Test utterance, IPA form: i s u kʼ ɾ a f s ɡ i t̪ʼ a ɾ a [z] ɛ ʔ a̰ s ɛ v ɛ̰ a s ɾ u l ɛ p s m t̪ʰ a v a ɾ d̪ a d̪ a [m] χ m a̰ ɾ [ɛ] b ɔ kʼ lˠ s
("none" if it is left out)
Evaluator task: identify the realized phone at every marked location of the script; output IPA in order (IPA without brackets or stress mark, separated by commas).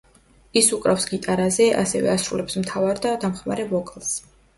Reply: z, m, ɛ